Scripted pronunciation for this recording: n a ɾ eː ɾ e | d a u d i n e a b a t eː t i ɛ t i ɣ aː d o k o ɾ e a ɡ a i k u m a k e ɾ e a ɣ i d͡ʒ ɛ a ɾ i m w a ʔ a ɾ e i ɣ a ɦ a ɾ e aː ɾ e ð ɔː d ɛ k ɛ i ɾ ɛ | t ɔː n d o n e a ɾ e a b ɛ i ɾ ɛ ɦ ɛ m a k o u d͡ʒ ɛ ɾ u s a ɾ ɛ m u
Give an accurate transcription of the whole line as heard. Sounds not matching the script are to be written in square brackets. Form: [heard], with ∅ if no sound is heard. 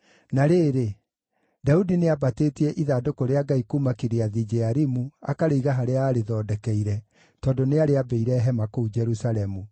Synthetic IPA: n a ɾ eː ɾ e | d a u d i n e a b a t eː t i ɛ [ʔ] i [ð] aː d o k o ɾ e a ɡ a i k u m a k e ɾ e a [ð] i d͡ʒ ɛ a ɾ i m [u] a [k] a ɾ e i ɣ a ɦ a ɾ e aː ɾ e ð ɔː d ɛ k ɛ i ɾ ɛ | t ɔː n d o n e a ɾ e a b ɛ i ɾ ɛ ɦ ɛ m a k o u d͡ʒ ɛ ɾ u s a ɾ ɛ m u